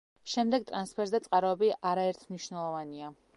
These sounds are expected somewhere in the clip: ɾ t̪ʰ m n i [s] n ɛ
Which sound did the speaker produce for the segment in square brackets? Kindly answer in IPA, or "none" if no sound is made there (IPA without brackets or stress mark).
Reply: ʃ